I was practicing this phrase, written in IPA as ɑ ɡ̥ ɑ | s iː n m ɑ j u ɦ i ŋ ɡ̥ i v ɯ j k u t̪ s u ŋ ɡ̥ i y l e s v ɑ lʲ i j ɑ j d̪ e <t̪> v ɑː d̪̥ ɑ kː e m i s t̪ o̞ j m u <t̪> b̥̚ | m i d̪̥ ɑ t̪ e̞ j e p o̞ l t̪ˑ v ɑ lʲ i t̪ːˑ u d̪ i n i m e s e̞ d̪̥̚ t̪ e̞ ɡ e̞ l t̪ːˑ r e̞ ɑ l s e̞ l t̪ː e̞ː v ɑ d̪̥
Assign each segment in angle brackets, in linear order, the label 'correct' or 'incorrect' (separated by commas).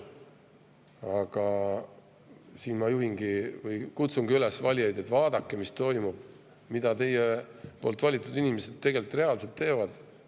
correct, incorrect